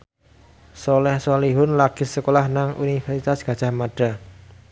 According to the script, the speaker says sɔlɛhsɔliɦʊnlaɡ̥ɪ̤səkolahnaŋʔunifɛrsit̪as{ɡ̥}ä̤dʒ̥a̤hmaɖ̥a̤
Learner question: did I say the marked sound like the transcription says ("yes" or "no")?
yes